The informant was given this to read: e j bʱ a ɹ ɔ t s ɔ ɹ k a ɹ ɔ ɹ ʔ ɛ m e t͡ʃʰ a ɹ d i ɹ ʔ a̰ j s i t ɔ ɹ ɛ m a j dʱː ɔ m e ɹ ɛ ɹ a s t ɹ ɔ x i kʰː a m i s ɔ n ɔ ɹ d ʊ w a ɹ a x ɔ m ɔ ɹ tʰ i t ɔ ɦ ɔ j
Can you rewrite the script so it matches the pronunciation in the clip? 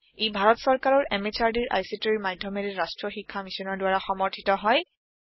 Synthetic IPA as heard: e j bʱ a ɹ ɔ t s ɔ ɹ k a ɹ ɔ ɹ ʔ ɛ m e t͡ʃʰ a ɹ d i ɹ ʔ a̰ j s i t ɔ ɹ i m a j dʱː ɔ m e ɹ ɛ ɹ a s t ɹ ɔ x i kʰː a m i s ɔ n ɔ ɹ d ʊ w a ɹ a x ɔ m ɔ ɹ tʰ i t ɔ ɦ ɔ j